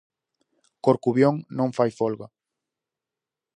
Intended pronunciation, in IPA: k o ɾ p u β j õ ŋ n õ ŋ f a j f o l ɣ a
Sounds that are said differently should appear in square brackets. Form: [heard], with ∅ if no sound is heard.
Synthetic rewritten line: k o ɾ [k] u β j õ ŋ n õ ŋ f a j f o l ɣ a